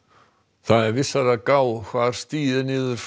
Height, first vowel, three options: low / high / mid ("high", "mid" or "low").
low